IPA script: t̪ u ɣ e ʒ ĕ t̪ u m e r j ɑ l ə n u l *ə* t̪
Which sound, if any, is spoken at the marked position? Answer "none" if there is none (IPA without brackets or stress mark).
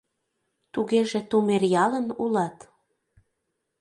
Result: ɑ